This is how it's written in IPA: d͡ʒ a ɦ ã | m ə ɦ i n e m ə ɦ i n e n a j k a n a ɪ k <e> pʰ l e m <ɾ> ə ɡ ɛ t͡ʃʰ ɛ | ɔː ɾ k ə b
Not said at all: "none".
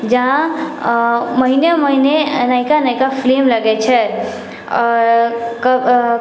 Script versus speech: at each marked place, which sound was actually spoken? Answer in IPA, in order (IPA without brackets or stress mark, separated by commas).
a, l